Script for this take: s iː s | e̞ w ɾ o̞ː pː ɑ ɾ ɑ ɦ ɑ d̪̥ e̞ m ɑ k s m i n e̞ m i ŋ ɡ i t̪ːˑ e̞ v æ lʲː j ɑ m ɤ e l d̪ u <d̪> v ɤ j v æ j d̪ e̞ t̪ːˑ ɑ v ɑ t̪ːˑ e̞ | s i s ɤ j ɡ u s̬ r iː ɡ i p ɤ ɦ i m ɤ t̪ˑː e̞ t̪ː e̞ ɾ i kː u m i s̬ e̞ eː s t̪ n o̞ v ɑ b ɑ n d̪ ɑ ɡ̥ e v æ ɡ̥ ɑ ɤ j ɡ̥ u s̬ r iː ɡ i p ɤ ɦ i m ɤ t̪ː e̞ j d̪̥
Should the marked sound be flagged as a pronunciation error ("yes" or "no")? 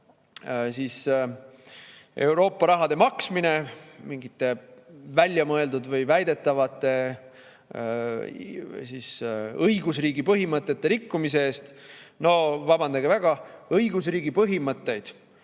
no